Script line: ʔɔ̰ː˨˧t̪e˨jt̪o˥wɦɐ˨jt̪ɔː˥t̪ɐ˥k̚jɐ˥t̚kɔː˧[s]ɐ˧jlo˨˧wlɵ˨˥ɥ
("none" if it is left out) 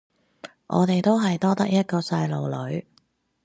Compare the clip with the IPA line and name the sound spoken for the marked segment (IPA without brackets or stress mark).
s